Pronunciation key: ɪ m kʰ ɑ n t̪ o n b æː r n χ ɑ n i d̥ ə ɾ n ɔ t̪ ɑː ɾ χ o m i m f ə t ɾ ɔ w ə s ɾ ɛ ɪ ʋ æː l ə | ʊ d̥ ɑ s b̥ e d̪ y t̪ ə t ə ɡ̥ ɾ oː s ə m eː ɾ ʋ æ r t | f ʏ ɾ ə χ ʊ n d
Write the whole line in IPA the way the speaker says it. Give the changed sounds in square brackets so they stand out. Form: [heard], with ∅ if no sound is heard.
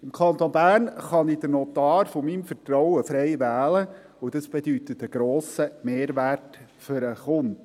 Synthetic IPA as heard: ɪ m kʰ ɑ n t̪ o n b æː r n χ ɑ n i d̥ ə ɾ n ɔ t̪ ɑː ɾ [f] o m i m f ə t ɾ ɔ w ə [f] ɾ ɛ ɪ ʋ æː l ə | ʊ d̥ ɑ s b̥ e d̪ y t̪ ə t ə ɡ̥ ɾ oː s ə m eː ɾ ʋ æ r t | f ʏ ɾ ə χ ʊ n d